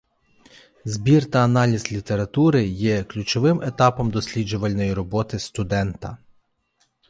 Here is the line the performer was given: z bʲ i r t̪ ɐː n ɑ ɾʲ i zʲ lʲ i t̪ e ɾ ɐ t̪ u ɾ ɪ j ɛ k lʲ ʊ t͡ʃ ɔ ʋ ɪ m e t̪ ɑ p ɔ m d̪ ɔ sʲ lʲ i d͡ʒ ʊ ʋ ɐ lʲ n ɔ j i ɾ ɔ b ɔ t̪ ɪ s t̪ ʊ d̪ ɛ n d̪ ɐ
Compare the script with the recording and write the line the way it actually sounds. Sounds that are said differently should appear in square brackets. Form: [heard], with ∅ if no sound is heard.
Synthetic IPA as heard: z bʲ i r t̪ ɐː n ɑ [lʲ] i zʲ lʲ i t̪ e ɾ ɐ t̪ u ɾ ɪ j ɛ k lʲ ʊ t͡ʃ ɔ ʋ ɪ m e t̪ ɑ p ɔ m d̪ ɔ sʲ lʲ i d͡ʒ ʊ ʋ ɐ lʲ n ɔ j i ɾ ɔ b ɔ t̪ ɪ s t̪ ʊ d̪ ɛ n [t̪] ɐ

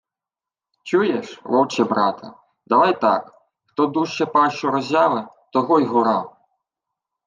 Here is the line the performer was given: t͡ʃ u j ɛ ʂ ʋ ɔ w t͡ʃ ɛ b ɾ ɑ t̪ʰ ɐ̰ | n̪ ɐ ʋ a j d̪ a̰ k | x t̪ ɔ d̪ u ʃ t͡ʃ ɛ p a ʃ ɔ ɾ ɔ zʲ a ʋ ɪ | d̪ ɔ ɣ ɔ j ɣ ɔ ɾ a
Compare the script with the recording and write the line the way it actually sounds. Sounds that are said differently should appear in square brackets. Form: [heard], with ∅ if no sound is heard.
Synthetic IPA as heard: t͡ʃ u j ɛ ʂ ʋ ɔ w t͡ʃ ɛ b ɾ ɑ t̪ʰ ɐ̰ | [d̪] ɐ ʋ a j [t̪] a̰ k | x t̪ ɔ d̪ u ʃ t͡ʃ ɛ p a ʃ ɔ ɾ ɔ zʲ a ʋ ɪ | [t̪] ɔ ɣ ɔ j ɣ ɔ ɾ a

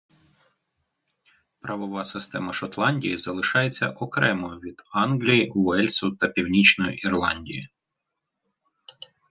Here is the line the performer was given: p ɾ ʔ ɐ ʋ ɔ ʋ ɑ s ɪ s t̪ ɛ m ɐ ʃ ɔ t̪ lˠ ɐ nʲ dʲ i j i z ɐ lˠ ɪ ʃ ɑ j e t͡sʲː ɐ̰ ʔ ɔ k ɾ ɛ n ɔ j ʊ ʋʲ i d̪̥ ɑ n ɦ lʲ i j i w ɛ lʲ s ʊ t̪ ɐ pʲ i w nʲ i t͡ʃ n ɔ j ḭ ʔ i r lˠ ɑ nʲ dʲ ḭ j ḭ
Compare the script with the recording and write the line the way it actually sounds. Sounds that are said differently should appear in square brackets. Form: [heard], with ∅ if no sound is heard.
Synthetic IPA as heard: p ɾ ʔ ɐ ʋ ɔ ʋ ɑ s ɪ s t̪ ɛ m ɐ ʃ ɔ t̪ lˠ [ɑ] nʲ dʲ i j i z ɐ lˠ ɪ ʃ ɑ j e t͡sʲː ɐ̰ ʔ ɔ k ɾ ɛ [m] ɔ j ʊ ʋʲ i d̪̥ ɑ n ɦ lʲ i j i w ɛ lʲ s ʊ t̪ ɐ pʲ i w nʲ i t͡ʃ n ɔ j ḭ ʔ i r lˠ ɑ nʲ dʲ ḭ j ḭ

